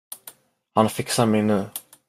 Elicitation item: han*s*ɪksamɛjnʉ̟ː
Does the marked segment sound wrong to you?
yes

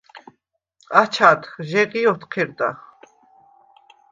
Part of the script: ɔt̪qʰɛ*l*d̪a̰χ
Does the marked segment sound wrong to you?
yes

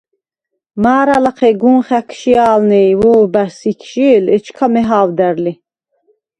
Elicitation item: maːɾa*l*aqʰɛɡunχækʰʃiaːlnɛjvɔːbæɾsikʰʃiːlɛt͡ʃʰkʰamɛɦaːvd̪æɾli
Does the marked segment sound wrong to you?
no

